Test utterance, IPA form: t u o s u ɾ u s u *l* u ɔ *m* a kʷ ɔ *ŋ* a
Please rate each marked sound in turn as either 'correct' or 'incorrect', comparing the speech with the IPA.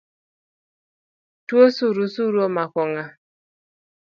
incorrect: ɾ, correct, correct

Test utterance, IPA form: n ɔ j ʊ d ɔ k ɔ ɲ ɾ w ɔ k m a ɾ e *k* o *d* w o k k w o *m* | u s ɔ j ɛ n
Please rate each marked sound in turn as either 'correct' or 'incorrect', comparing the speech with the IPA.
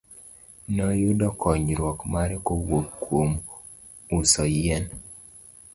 correct, incorrect: none, correct

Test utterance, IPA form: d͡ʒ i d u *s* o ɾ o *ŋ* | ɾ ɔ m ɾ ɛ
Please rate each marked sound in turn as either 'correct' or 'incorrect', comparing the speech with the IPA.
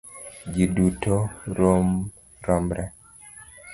incorrect: t, incorrect: m

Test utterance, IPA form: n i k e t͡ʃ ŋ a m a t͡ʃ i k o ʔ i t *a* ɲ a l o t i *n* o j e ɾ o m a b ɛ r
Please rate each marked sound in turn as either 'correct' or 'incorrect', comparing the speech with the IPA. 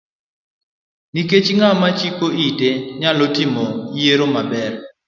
incorrect: e, incorrect: m

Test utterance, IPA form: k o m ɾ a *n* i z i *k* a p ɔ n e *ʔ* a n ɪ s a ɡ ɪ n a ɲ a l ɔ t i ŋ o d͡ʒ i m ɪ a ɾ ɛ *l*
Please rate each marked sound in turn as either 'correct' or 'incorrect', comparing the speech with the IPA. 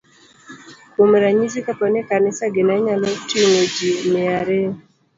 incorrect: ɲ, correct, incorrect: k, incorrect: none

